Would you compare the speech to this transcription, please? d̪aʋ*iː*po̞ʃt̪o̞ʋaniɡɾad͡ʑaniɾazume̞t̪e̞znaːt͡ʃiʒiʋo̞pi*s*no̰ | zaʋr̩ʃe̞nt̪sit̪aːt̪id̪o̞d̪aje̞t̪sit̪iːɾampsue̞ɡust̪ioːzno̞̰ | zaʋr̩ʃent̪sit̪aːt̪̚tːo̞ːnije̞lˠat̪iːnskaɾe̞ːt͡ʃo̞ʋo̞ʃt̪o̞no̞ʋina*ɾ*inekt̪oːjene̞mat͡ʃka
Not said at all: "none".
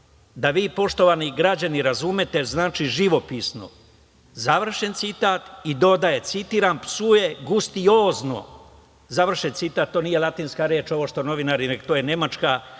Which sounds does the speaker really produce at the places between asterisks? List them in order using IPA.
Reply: iː, s, ɾ

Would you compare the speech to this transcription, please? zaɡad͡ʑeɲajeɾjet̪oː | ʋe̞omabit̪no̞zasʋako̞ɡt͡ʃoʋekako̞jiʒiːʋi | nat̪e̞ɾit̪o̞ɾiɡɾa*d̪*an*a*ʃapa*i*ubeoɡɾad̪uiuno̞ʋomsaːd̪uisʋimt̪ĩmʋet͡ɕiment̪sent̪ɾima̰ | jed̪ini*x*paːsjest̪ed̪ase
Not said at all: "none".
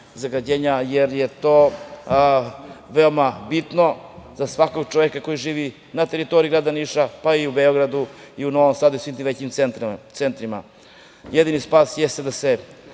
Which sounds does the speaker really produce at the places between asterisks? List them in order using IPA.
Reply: d̪, i, i, s

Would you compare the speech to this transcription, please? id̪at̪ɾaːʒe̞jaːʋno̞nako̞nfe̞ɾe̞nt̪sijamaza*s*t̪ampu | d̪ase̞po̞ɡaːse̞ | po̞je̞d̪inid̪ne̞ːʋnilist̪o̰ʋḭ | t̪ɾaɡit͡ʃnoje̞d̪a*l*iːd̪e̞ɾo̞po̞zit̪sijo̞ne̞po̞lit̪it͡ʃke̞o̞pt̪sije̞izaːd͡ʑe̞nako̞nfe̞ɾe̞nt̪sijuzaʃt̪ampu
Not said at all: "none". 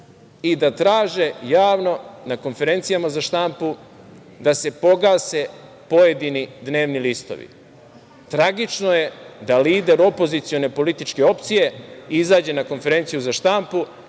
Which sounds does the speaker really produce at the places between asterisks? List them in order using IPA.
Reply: ʃ, l

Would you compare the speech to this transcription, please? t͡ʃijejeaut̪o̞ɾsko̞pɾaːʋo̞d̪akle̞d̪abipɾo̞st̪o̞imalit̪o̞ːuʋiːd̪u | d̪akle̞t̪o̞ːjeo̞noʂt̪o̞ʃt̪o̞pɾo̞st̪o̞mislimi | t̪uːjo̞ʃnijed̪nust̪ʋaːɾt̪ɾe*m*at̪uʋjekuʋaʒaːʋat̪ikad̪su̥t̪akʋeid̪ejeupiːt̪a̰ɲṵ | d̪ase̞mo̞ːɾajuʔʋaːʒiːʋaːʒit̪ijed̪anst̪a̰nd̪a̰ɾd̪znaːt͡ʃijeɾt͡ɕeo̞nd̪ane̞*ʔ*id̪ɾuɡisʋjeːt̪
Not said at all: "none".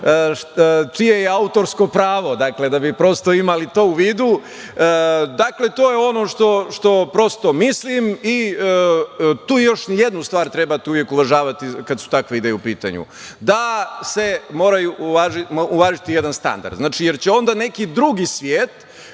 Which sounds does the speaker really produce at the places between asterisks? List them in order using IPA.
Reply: b, k

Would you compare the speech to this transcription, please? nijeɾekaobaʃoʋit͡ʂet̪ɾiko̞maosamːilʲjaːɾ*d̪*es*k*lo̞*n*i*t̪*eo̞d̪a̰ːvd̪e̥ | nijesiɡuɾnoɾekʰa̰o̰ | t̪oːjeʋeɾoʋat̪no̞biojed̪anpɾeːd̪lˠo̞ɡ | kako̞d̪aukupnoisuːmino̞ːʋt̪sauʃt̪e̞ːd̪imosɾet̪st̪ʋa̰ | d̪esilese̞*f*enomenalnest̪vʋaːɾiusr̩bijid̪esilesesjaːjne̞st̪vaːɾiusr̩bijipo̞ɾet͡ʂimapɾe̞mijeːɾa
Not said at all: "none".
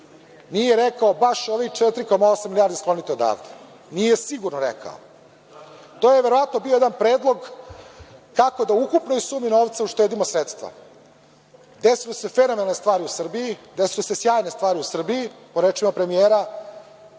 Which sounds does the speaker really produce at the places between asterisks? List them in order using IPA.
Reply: d̪, k, n, t̪, f

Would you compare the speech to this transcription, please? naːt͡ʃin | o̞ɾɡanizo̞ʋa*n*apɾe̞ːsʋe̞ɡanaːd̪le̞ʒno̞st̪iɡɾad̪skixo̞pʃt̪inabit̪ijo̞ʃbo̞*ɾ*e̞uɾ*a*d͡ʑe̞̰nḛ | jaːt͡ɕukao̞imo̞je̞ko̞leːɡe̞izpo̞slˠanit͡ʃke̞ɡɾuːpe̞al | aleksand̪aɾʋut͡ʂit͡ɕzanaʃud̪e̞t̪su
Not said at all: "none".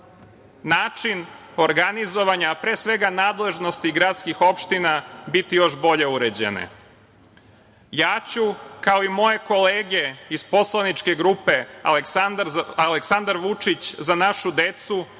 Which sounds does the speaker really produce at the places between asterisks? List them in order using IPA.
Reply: ɲ, ʎ, e

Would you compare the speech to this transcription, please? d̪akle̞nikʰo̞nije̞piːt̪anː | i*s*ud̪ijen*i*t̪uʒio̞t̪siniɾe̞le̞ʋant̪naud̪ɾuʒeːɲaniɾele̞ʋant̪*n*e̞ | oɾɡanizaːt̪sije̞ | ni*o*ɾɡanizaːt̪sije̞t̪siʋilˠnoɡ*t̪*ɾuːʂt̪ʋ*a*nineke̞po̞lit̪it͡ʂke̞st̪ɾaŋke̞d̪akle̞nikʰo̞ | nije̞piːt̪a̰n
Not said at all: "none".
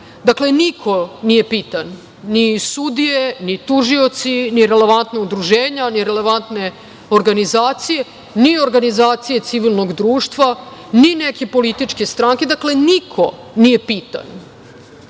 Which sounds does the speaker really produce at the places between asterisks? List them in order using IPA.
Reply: s, i, n, o, d̪, a

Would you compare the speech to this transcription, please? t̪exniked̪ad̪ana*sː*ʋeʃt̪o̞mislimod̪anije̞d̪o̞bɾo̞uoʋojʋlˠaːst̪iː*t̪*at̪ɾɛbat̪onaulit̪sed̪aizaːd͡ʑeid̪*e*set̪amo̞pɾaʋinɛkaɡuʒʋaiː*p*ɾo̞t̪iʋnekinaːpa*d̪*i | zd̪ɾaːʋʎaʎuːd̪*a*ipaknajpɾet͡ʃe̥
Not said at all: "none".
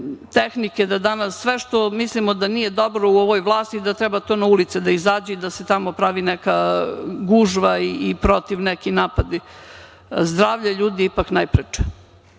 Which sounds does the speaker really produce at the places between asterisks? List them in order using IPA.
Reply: sː, d̪, a, p, d̪, i

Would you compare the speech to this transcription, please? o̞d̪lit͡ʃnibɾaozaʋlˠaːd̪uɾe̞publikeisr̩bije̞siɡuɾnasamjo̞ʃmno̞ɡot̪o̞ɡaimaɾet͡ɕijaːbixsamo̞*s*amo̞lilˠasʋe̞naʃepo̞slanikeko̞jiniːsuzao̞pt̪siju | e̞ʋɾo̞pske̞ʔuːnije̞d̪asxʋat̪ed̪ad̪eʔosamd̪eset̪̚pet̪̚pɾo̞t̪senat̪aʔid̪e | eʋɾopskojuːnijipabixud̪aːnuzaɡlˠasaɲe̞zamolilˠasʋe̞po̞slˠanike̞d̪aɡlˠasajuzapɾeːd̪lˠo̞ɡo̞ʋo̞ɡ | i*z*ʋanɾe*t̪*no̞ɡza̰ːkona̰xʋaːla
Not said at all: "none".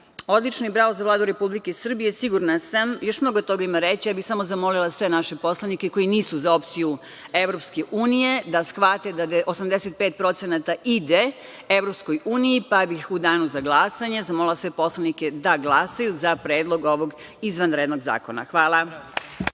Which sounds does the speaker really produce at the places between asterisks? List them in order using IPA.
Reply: z, z, d̪

